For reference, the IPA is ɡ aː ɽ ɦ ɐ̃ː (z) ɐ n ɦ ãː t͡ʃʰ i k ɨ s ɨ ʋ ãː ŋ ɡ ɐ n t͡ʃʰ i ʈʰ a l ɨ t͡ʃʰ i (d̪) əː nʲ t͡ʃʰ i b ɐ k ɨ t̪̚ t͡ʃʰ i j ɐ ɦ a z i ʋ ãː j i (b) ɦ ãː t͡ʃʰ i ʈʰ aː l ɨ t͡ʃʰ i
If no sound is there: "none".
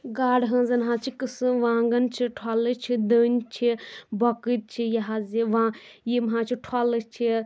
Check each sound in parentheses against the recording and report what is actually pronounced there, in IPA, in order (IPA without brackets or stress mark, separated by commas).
z, d̪, m